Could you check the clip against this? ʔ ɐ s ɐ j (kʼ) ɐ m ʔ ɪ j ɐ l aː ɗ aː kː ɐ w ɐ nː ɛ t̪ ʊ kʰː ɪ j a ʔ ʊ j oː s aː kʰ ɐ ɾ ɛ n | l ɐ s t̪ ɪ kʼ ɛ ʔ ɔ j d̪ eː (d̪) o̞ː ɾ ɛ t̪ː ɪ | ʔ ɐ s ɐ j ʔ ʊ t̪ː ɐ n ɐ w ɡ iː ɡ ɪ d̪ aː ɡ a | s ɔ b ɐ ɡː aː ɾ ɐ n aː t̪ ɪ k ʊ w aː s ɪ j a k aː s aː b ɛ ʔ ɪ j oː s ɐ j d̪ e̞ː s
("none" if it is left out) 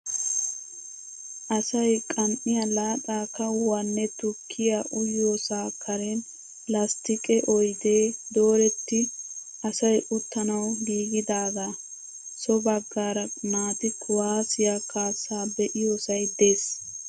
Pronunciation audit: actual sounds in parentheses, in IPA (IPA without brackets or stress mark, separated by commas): kʼ, d̪